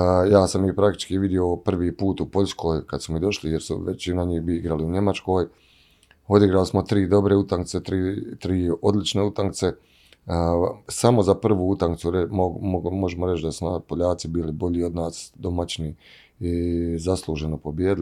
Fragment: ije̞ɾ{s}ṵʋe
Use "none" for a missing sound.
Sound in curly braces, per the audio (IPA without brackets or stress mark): s